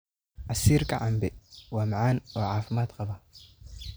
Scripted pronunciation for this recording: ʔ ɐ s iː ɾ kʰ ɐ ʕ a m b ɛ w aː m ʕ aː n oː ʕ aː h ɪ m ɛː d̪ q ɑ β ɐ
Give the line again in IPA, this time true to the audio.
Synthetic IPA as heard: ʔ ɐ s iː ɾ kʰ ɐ ʕ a m b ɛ w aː m ʕ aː n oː ʕ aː f ɪ m aː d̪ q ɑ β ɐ